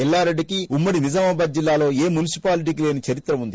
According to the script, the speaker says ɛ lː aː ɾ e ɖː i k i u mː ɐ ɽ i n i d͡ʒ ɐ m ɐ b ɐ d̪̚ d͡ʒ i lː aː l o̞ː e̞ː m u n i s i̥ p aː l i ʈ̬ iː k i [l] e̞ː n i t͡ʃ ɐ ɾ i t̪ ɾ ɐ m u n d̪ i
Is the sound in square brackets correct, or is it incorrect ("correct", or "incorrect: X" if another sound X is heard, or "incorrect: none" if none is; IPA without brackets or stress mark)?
correct